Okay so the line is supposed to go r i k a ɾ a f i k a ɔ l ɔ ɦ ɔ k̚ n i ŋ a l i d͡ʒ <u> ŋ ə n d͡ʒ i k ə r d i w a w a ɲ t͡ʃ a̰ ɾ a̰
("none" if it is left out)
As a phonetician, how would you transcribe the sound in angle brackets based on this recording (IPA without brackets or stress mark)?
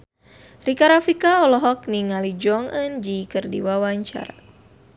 ɔ